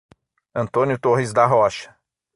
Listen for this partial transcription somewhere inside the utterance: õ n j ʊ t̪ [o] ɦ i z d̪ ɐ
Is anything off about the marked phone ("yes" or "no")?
no